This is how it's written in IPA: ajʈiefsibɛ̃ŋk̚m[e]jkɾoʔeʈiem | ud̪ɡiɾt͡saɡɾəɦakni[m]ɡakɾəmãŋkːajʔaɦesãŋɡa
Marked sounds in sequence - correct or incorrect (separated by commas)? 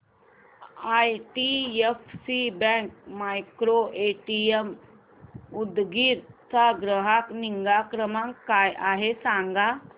incorrect, incorrect